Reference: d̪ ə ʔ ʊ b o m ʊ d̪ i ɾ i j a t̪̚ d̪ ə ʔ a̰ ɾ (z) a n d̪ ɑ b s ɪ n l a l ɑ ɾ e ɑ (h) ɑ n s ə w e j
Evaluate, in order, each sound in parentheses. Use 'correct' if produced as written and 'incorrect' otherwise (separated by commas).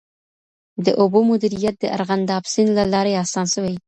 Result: incorrect, incorrect